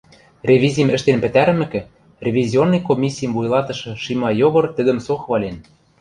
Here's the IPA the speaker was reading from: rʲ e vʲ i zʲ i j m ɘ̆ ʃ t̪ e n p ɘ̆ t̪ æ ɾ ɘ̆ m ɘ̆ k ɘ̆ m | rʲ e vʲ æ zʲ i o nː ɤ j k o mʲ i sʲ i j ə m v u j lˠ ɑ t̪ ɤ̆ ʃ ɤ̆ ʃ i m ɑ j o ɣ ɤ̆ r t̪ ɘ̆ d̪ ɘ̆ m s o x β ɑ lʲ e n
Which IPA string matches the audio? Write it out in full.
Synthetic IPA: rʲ e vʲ i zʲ i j m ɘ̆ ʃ t̪ e n p ɘ̆ t̪ æ ɾ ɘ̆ m ɘ̆ k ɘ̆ | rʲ e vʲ i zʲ i o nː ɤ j k o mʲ i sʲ i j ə m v u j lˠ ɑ t̪ ɤ̆ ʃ ɤ̆ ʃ i m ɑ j o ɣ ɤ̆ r t̪ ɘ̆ d̪ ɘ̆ m s o x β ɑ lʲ e n